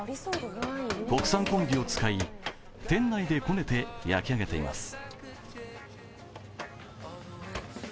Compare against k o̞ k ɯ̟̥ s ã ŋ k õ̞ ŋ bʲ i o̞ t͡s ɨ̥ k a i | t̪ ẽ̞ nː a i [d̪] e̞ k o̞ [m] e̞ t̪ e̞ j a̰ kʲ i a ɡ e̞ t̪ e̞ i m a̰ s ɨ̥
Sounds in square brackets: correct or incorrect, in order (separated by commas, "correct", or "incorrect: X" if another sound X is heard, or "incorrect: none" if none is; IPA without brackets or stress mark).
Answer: correct, incorrect: n